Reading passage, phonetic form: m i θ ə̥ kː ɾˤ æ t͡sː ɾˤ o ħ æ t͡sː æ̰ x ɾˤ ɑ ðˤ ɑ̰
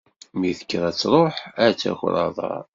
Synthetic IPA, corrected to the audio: m i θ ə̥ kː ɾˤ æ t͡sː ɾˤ o ħ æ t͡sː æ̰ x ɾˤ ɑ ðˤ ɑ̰